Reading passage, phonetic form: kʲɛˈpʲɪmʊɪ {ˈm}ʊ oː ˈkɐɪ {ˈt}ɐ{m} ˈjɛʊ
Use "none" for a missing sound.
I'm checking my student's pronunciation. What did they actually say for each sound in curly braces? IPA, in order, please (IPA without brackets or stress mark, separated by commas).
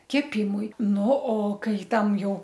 n, t, m